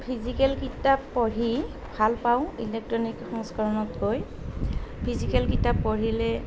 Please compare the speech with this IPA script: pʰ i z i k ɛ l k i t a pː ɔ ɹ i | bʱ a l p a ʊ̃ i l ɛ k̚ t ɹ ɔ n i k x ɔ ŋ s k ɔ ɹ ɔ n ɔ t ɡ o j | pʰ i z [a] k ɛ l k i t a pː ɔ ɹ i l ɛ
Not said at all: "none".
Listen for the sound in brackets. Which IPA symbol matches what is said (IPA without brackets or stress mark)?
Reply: i